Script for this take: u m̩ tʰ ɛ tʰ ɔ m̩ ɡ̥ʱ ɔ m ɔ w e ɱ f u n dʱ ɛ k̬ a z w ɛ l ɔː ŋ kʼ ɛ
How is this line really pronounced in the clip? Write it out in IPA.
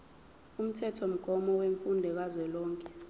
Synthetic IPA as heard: u m̩ tʰ ɛ tʰ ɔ m̩ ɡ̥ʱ ɔ m ɔ w e ɱ f u n dʱ ɛ k̬ a z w ɛ l ɔː ŋ kʼ ɛ